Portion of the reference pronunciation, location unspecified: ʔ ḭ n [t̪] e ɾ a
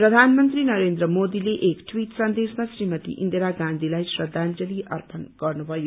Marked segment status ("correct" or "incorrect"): incorrect